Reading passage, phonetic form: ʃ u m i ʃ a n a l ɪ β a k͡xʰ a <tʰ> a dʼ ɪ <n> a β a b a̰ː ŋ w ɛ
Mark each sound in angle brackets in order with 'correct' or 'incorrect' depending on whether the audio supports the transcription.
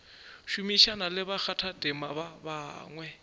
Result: correct, incorrect: m

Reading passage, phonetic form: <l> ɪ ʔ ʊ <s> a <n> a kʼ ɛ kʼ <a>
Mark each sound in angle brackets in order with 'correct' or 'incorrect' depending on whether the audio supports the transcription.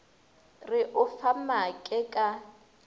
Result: incorrect: r, incorrect: f, incorrect: m, correct

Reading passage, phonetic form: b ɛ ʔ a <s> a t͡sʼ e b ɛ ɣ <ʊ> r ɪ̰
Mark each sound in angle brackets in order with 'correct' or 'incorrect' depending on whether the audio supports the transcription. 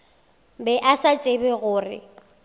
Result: correct, incorrect: ʊː

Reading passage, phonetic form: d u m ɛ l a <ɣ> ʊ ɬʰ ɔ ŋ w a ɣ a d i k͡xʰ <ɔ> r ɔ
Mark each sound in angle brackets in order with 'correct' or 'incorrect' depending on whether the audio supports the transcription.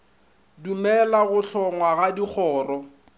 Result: correct, incorrect: ɔː

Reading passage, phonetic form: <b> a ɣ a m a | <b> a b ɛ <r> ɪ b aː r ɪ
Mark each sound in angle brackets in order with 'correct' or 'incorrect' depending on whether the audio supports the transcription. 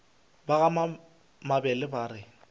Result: correct, incorrect: m, incorrect: l

